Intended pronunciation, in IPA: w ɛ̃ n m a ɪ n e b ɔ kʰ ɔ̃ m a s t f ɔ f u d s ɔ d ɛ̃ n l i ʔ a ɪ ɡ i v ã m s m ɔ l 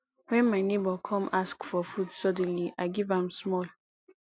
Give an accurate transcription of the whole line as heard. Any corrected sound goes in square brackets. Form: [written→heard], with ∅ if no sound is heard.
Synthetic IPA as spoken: w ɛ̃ n m a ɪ n e b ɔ kʰ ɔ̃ m a s [t→k] f ɔ f u d s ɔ d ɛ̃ n l i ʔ a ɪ ɡ i v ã m s m ɔ l

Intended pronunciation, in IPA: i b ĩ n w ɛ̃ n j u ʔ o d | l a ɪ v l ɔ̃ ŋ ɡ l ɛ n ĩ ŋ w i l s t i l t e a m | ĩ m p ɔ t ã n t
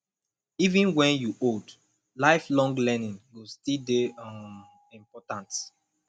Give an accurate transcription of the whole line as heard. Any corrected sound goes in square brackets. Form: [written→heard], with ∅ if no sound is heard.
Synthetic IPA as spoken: i [b→v] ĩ n w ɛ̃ n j u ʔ o d | l a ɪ [v→f] l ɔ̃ ŋ ɡ l ɛ n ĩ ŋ w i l s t i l [t→d] e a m | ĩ m p ɔ t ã n t

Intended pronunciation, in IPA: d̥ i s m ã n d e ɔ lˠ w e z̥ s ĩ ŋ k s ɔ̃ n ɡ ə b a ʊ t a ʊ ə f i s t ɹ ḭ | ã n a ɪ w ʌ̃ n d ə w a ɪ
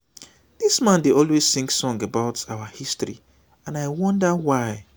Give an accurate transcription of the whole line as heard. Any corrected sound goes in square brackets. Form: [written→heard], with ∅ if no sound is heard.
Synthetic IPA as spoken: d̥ i s m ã n d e ɔ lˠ w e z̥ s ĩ ŋ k s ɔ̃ [n→ŋ] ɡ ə b a ʊ t a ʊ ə [f→h] i s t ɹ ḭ | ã n a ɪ w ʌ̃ n d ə w a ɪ

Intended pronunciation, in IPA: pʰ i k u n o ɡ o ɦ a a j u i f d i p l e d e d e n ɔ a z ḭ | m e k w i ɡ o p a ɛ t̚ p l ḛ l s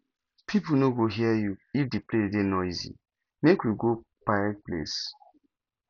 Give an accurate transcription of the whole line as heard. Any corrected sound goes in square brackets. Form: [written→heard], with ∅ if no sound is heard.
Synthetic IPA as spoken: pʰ i [k→p] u n o ɡ o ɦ [a→i] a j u i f d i p l e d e d e n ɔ [a→i] z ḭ | m e k w i ɡ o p a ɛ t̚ p l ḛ [l→∅] s

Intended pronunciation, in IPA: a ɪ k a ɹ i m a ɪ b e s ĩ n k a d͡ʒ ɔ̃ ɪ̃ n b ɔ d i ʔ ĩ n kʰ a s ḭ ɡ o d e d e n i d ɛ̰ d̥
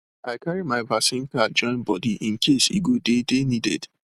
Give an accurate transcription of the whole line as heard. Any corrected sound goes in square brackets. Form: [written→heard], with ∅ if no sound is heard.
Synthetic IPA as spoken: a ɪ k a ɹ i m a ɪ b [e→a] s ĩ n k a d͡ʒ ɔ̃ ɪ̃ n b ɔ d i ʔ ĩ n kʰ [a→e] s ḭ ɡ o d e d e n i d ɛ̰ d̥

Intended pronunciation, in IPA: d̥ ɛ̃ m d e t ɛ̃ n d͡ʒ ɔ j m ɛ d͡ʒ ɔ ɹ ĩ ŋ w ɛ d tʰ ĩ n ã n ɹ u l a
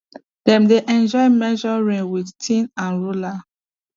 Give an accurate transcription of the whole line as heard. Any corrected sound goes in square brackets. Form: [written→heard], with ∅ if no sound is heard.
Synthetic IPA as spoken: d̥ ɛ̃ m d e [t→ʔ] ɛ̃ n d͡ʒ ɔ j m ɛ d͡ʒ ɔ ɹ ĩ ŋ w [ɛ→i] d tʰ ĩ n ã n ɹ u l a

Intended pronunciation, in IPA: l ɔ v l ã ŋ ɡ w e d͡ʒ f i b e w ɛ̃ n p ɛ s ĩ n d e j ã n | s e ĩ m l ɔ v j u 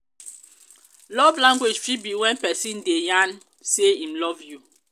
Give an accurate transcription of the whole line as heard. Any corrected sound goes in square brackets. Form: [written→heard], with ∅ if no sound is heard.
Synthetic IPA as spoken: l ɔ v l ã ŋ ɡ w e d͡ʒ f i b [e→i] w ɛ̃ n p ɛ s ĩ n d e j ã n | s e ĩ m l ɔ v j u

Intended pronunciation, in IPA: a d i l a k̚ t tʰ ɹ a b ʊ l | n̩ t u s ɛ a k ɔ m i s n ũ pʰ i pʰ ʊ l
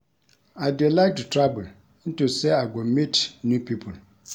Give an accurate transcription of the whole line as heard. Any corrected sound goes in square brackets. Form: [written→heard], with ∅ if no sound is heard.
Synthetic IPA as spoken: a d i l a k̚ t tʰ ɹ a b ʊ l | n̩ t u s ɛ a [k→ɡ] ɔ m i [s→t] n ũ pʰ i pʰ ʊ l

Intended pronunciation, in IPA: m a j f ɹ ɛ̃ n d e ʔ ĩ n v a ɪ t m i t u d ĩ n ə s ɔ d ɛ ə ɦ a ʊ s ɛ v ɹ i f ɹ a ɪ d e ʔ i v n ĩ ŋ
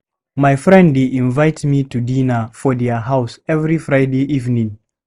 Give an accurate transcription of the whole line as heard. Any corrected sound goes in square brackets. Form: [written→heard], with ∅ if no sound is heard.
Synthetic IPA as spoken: m a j f ɹ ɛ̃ n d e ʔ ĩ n v a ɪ t m i t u d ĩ n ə [s→f] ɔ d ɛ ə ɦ a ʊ s ɛ v ɹ i f ɹ a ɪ d e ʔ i v n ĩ ŋ

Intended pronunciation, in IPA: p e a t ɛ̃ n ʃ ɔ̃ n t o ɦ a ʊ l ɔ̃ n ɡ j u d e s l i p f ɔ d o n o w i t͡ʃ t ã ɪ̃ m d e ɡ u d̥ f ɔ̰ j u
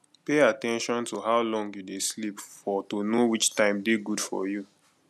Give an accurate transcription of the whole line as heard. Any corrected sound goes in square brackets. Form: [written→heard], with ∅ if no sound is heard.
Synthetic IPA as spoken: p e a t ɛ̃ n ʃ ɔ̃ n t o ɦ a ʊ l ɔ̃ [n→ŋ] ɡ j u d e s l i p f ɔ [d→t] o n o w i t͡ʃ t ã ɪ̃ m d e ɡ u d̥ f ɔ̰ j u

